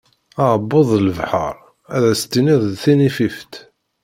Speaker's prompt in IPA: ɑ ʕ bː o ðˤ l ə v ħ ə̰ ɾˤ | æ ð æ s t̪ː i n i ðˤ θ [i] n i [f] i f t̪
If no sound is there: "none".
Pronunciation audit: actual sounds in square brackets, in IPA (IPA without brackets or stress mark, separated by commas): i, f